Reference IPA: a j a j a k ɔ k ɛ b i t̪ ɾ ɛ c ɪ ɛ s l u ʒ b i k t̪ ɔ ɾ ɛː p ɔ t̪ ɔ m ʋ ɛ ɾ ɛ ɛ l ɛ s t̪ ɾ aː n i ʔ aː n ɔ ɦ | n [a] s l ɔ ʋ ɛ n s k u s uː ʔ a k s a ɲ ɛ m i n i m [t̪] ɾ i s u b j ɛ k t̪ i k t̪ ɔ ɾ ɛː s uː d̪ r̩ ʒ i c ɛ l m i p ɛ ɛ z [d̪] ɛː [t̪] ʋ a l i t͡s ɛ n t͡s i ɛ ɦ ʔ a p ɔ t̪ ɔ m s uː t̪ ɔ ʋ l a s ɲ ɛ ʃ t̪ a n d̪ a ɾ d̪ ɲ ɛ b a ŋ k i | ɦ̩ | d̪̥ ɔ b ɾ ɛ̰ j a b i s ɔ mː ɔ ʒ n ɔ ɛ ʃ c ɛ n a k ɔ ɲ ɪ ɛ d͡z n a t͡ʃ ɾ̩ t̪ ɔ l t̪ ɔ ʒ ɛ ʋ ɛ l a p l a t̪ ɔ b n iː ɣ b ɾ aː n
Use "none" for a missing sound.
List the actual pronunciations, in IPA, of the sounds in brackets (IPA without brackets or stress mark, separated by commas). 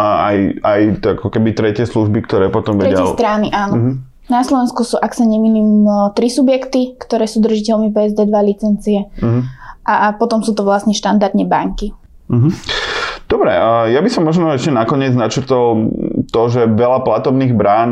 a, t̪, d̪, d̪